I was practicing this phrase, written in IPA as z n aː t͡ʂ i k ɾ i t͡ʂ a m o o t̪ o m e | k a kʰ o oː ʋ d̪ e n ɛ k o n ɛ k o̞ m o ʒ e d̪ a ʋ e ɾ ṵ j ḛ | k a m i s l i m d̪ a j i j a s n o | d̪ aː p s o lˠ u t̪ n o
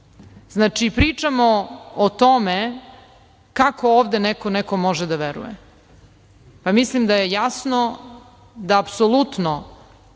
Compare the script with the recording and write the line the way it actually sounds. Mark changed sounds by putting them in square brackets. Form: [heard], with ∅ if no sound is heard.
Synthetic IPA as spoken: z n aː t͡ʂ i [p] ɾ i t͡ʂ a m o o t̪ o m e | k a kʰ o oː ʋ d̪ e n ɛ k o n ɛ k o̞ m o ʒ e d̪ a ʋ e ɾ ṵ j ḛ | [p] a m i s l i m d̪ a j [e] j a s n o | d̪ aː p s o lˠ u t̪ n o